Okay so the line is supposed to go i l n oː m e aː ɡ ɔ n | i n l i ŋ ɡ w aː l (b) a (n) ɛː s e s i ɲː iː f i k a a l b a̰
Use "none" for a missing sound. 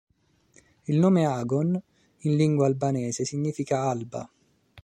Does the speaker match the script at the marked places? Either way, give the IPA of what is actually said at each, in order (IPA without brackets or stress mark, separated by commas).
b, n